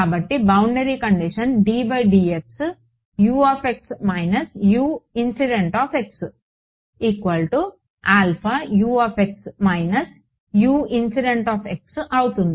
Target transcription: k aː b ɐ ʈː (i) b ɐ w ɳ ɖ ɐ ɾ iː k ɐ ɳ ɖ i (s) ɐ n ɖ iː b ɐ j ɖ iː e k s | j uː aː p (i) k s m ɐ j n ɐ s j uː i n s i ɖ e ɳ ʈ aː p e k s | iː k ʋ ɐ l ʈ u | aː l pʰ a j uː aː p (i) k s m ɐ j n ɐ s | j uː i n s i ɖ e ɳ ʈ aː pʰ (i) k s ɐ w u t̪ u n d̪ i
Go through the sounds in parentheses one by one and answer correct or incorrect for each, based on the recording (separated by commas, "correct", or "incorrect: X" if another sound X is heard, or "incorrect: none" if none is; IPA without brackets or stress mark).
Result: correct, incorrect: ʂ, incorrect: e, incorrect: e, incorrect: e